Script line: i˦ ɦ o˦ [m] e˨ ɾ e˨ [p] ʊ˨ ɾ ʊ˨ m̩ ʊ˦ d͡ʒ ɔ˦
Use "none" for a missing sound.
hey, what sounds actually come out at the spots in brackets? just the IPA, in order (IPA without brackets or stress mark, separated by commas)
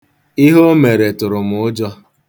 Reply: m, t